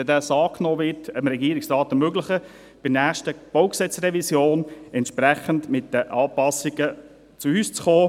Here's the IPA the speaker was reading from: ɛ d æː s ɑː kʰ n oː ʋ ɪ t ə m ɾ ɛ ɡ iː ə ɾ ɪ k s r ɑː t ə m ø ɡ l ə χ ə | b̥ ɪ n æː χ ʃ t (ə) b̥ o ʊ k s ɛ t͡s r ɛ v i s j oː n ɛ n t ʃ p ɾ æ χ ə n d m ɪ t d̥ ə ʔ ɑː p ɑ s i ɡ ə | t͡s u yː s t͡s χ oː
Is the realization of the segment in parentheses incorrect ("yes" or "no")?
no